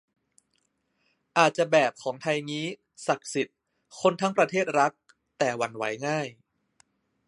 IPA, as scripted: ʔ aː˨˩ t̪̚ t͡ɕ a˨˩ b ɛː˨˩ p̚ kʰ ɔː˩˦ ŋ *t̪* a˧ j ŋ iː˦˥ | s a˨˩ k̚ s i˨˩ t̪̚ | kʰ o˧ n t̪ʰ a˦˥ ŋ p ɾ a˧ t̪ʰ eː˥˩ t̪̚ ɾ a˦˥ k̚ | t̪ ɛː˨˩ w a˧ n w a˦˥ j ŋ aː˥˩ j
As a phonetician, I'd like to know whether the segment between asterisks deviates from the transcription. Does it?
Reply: yes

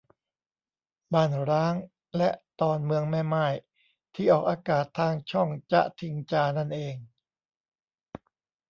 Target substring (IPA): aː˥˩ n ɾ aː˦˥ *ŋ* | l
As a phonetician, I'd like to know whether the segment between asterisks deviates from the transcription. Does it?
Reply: no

